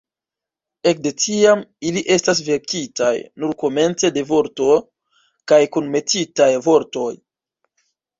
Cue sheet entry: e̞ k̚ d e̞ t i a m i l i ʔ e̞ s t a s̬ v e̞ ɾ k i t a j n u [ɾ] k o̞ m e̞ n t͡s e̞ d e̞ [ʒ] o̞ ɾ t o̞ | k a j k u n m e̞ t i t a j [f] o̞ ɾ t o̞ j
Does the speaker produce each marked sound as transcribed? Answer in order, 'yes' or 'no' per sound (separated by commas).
yes, no, no